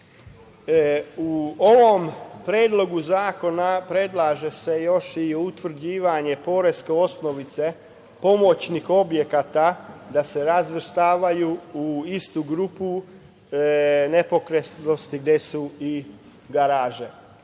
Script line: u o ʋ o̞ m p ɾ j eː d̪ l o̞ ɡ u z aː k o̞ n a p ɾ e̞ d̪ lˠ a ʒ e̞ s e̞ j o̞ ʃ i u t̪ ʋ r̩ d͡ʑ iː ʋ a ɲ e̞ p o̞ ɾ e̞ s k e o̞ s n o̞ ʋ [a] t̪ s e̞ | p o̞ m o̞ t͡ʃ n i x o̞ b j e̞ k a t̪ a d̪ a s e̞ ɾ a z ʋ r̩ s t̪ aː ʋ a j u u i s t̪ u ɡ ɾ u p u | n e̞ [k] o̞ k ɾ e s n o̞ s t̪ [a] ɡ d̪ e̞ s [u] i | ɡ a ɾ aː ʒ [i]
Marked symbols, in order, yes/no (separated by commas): no, no, no, yes, no